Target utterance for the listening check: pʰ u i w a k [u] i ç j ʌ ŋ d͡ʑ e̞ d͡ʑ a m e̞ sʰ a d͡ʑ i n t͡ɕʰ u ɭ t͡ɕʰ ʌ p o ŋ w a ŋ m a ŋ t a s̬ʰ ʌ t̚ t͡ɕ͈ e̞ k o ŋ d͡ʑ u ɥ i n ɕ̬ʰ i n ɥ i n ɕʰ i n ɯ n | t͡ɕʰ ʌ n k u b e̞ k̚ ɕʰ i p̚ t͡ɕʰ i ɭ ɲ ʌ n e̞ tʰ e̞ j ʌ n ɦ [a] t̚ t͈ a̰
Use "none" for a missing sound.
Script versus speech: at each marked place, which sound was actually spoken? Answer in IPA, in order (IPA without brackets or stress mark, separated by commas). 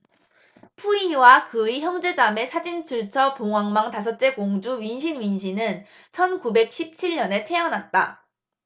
ɯ, a